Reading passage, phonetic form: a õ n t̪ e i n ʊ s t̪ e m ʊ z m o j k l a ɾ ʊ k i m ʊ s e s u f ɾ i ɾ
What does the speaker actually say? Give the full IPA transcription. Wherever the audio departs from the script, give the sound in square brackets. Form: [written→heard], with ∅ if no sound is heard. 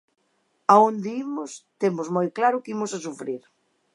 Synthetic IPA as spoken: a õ n [t̪→d̪] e i [n→m] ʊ s t̪ e m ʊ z m o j k l a ɾ ʊ k i m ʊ s [e→a] s u f ɾ i ɾ